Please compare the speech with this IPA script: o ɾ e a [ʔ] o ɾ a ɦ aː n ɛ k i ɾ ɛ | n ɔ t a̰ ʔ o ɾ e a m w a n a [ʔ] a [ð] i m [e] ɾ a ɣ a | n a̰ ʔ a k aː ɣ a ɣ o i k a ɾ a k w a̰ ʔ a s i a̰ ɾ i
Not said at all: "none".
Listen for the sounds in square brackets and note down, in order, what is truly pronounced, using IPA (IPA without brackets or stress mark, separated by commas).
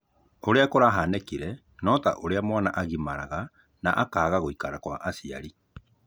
k, ʔ, ɣ, a